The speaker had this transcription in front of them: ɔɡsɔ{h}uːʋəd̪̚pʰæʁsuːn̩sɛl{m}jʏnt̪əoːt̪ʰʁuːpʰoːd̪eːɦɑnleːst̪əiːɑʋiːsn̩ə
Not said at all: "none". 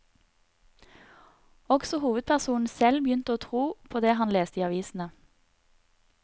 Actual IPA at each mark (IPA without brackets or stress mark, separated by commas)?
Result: h, b